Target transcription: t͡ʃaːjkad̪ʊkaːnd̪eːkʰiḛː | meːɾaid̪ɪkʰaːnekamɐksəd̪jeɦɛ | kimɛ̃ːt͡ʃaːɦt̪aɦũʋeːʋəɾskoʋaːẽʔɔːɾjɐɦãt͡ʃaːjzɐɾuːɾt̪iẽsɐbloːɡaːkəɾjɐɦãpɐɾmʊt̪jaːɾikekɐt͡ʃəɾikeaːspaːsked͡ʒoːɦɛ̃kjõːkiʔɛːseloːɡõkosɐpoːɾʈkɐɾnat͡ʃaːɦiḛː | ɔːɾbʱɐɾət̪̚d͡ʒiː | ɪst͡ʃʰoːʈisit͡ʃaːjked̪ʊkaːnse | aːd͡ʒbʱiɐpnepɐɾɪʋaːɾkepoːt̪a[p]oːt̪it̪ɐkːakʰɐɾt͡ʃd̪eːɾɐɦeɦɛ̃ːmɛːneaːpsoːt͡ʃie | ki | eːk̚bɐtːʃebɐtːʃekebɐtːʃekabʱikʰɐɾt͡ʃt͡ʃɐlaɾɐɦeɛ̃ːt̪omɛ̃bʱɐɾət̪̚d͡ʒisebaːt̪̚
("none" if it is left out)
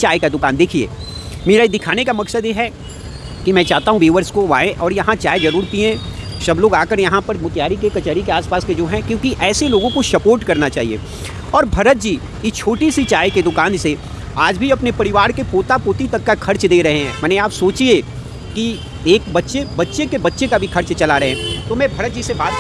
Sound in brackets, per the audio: p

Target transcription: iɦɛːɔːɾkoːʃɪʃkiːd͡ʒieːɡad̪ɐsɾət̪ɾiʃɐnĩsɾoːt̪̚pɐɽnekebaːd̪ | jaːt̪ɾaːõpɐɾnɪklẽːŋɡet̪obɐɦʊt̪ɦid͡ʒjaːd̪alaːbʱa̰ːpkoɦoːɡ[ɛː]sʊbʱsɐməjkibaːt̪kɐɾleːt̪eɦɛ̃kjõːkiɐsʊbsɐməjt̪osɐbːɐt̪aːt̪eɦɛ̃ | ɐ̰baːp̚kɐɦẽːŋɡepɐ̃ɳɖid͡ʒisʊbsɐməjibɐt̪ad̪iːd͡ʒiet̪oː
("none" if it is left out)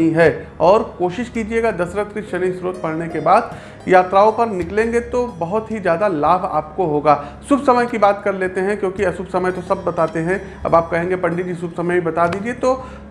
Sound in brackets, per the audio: aː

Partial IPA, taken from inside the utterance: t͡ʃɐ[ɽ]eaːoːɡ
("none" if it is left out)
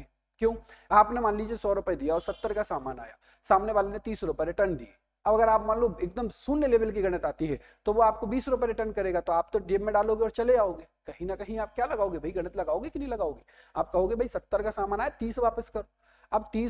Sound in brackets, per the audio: l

